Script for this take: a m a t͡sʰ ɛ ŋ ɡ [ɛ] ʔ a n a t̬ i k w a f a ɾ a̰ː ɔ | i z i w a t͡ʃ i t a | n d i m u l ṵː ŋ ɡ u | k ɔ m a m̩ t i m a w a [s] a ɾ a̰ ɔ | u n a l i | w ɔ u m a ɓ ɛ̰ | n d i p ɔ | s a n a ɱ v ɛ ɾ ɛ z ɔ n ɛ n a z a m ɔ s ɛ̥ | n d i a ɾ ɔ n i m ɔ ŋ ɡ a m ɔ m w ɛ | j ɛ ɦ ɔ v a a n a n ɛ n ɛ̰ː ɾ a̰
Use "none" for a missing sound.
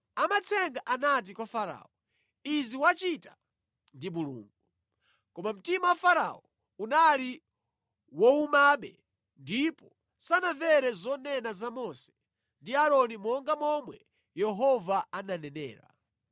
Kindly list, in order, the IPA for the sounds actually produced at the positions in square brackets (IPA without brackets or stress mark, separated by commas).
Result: a, f